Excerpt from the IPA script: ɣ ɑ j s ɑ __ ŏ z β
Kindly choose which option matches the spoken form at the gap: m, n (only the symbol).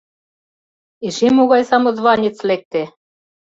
m